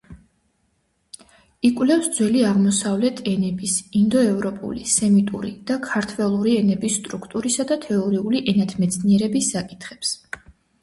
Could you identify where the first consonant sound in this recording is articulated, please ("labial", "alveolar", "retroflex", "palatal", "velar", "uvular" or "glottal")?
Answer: velar